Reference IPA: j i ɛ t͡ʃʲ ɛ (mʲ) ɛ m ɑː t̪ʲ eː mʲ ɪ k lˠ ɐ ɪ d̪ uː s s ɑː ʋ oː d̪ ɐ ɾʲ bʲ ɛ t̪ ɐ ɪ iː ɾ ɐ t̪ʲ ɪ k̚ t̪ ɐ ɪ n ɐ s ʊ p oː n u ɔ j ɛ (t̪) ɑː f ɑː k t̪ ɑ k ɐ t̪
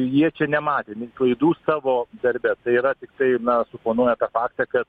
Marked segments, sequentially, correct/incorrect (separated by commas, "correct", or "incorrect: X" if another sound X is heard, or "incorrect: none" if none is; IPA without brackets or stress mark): incorrect: nʲ, correct